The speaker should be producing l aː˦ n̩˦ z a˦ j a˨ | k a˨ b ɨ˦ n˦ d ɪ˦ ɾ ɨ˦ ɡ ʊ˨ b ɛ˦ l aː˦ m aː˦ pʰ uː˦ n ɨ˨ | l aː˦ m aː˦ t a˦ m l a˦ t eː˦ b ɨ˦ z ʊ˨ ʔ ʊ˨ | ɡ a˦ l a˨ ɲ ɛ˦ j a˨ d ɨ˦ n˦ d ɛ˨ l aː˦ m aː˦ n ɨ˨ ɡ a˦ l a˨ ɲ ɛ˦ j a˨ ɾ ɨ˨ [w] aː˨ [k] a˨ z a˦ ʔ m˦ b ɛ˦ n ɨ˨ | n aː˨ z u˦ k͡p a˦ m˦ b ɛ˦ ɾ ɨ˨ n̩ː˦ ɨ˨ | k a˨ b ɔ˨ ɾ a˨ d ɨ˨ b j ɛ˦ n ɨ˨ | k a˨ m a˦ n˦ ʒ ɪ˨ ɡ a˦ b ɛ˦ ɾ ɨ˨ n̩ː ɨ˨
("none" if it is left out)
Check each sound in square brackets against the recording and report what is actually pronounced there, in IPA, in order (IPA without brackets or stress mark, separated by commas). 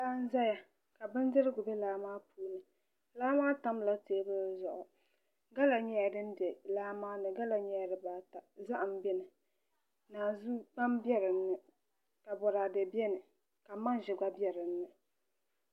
b, t